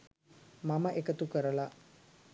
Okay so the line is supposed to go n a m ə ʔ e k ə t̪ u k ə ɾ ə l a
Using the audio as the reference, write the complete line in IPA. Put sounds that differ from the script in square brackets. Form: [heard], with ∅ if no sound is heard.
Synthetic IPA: [m] a m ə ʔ e k ə t̪ u k ə ɾ ə l a